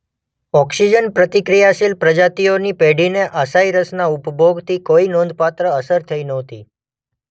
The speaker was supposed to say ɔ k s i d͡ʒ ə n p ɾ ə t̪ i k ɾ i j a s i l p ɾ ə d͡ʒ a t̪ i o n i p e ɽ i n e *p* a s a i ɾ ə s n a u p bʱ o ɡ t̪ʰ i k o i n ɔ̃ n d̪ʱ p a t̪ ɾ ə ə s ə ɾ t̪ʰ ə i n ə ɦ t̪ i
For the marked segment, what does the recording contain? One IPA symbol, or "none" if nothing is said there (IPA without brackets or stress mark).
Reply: ʔ